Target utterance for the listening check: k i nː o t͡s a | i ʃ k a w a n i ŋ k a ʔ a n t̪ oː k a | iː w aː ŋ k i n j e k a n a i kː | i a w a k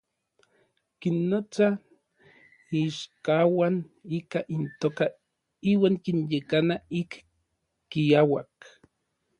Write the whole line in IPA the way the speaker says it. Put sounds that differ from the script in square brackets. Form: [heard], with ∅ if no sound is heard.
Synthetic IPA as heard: k i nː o t͡s a | i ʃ k a w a n i [∅] k a ʔ [i] n t̪ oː k a | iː w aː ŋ k i n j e k a n a i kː | i a w a k